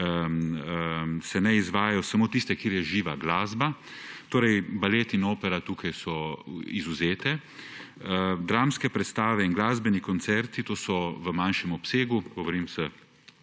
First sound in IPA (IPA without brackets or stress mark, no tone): s